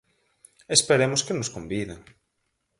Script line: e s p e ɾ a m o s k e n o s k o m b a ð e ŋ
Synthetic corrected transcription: e s p e ɾ e m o s k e n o s k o m b i ð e ŋ